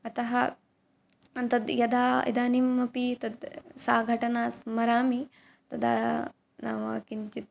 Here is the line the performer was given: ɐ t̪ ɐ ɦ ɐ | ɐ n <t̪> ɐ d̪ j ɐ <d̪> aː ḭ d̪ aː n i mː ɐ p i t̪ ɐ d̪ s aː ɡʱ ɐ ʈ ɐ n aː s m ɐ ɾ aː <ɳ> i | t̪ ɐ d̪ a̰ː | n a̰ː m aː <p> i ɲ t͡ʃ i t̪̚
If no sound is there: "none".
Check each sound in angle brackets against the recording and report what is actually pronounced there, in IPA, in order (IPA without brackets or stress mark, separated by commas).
t̪, d̪, m, k